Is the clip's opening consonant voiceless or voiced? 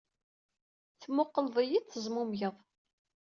voiceless